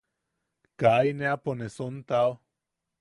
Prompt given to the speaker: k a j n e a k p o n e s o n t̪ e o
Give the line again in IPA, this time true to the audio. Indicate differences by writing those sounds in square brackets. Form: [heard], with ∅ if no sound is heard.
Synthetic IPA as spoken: k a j n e a [∅] p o n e s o n t̪ [a] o